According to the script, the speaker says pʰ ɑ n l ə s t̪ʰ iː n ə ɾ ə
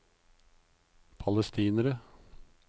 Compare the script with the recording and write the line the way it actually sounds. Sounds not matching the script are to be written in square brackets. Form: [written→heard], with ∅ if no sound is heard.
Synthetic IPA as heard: pʰ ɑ [n→∅] l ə s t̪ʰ iː n ə ɾ ə